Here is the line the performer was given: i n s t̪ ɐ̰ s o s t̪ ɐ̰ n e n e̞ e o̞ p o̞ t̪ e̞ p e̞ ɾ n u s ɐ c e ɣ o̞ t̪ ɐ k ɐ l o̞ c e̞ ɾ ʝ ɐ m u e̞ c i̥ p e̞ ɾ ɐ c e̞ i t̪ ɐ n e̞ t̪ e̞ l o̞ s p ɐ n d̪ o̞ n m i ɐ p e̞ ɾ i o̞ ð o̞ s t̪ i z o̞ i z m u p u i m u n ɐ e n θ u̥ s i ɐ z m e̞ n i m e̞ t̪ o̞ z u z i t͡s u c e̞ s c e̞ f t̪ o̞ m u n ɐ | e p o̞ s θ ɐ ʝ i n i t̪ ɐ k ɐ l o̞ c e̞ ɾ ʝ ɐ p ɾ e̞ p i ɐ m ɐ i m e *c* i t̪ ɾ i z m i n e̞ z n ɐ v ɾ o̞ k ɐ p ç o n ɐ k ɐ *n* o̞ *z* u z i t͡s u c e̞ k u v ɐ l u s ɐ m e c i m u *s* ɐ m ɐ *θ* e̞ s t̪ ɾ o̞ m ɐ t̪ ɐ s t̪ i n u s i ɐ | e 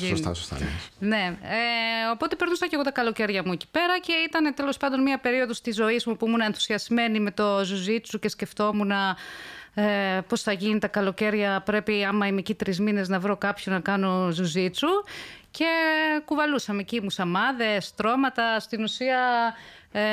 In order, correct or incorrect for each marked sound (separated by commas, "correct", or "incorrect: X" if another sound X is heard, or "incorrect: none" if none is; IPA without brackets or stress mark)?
correct, correct, correct, correct, incorrect: ð